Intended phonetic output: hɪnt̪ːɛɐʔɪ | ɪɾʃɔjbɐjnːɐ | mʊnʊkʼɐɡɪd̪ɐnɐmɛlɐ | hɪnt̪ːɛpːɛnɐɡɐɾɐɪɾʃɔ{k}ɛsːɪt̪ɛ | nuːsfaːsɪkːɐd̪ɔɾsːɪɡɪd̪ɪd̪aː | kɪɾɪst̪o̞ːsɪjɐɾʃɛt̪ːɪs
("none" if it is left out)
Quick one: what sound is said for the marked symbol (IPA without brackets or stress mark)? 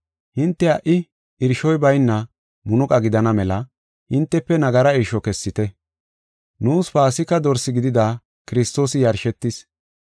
k